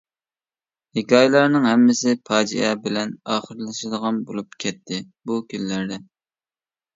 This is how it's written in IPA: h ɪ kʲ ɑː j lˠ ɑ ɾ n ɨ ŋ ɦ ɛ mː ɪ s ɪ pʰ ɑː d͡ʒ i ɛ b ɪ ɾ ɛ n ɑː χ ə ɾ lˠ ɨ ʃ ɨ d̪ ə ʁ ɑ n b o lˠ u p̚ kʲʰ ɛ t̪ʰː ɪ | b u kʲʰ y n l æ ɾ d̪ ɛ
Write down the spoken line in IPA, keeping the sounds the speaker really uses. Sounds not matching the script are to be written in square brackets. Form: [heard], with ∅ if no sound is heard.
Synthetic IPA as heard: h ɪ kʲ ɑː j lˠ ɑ ɾ n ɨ ŋ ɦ ɛ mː ɪ s ɪ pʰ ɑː d͡ʒ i ɛ b ɪ [l] ɛ n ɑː χ ə ɾ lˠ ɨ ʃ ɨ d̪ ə ʁ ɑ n b o lˠ u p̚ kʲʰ ɛ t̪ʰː ɪ | b u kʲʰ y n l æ ɾ d̪ ɛ